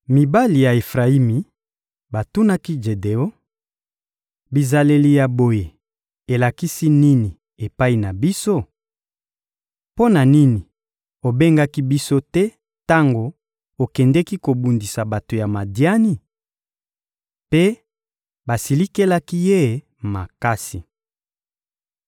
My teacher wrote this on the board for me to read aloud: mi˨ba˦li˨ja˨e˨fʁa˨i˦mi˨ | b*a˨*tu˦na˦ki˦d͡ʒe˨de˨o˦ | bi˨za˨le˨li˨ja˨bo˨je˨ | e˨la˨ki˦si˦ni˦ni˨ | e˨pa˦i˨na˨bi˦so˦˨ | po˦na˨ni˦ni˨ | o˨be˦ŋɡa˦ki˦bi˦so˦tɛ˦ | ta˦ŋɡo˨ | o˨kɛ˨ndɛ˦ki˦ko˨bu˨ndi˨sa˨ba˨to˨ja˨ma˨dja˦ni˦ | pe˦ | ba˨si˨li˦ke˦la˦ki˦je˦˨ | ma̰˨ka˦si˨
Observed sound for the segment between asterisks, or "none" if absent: a˨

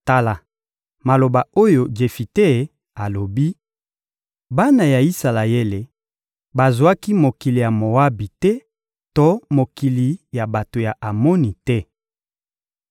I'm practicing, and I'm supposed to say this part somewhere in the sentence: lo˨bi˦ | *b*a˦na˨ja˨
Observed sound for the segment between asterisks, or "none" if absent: b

